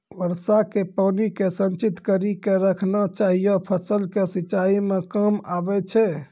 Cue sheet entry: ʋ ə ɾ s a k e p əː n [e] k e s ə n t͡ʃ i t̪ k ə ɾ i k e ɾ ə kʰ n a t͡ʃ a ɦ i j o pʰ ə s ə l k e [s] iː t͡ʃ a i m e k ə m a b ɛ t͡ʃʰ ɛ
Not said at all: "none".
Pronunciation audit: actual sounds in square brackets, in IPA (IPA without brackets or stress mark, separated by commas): i, s